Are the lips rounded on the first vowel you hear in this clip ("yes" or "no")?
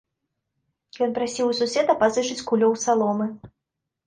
yes